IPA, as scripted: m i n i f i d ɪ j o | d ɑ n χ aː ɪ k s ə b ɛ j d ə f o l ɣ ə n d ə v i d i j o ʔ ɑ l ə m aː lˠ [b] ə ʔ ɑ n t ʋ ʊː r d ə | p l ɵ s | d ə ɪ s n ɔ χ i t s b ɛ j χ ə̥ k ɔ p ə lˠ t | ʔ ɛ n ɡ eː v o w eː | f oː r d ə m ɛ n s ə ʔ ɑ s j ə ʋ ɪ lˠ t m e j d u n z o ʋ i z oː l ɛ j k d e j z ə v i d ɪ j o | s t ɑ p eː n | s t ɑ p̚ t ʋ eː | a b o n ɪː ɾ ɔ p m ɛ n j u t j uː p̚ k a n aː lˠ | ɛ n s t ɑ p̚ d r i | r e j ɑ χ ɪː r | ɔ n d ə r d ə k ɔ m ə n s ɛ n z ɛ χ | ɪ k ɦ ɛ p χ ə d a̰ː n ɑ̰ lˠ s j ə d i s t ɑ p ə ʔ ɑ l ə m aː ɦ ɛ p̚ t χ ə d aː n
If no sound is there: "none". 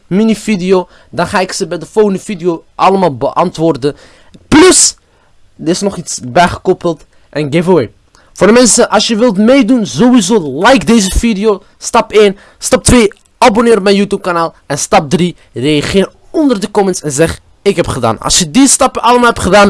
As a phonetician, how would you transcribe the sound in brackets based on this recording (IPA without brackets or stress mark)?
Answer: b